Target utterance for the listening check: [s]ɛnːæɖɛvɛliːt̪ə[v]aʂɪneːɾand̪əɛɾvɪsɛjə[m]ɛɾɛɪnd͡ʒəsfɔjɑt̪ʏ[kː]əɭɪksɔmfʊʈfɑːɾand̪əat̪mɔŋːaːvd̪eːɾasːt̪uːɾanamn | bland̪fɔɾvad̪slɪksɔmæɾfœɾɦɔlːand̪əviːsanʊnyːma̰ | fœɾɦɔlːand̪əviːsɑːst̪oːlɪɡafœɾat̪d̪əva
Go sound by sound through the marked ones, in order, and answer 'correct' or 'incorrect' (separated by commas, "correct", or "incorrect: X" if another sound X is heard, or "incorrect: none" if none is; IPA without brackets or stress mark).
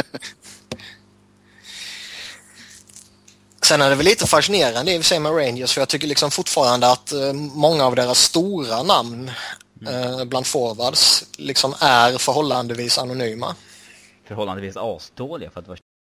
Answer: correct, incorrect: f, correct, correct